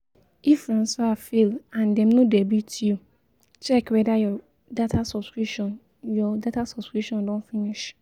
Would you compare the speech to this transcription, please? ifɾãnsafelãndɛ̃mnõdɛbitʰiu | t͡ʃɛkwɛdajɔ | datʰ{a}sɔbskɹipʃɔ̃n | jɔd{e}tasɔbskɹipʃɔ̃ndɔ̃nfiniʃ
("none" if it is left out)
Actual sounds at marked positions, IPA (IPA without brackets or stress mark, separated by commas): a, a